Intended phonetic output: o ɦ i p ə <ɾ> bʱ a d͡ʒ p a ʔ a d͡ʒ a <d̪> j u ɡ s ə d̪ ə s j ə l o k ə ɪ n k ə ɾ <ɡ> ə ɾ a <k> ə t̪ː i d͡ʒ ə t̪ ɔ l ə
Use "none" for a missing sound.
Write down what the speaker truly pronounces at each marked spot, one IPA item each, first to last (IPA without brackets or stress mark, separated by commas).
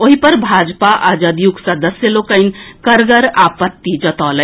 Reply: ɾ, d̪, ɡ, p